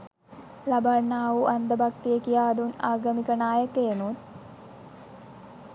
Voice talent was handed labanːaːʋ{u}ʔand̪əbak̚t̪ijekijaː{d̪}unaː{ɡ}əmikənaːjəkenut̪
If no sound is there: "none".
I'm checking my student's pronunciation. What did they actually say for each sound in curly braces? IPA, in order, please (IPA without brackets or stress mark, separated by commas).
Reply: u, d̪, ɡ